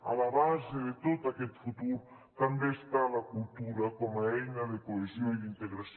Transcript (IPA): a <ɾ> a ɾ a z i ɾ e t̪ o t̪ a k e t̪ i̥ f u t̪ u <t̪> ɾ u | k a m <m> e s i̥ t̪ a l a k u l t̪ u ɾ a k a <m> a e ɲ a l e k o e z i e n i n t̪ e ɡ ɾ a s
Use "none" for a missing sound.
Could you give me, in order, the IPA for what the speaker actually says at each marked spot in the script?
l, none, b, m

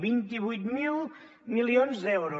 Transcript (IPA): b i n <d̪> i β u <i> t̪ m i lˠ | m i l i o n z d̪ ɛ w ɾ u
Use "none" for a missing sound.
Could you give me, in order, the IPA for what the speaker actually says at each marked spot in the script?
t̪, j

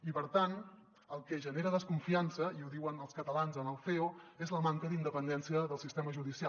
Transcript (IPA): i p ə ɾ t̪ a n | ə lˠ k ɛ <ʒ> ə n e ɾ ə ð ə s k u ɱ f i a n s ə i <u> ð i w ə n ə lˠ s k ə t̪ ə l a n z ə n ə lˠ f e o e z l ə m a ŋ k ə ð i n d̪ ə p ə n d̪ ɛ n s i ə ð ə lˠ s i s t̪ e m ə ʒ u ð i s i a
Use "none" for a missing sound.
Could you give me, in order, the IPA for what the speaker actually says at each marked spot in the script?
ʒ, u

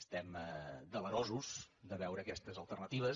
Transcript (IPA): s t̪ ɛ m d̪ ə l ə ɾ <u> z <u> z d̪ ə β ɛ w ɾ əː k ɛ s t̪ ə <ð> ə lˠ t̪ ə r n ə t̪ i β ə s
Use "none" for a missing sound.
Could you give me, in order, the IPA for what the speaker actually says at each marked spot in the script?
ɔ, u, z

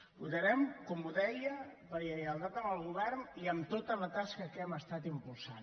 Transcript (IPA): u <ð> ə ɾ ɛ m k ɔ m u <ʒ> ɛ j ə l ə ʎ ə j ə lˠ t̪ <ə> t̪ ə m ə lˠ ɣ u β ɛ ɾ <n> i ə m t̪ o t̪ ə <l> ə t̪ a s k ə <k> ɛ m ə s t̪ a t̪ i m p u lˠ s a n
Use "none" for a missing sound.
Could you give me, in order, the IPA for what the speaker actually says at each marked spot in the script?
ð, ð, a, n, l, k

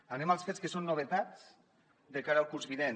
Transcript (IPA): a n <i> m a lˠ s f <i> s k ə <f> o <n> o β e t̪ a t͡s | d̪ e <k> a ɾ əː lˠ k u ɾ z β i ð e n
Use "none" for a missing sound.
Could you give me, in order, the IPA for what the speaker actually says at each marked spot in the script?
e, e, s, nː, k

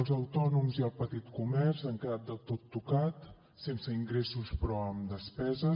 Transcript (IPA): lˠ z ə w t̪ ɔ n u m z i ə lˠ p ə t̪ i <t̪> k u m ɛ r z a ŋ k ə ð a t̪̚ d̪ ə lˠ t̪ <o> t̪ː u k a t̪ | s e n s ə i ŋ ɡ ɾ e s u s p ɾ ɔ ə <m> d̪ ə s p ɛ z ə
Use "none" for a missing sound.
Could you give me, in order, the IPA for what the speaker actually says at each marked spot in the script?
t̪, o, m

